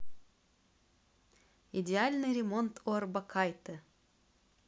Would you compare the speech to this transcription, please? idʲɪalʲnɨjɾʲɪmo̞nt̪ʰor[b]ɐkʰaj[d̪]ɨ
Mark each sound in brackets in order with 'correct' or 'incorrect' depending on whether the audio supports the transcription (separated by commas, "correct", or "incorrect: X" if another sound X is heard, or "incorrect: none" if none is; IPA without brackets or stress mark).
correct, incorrect: t̪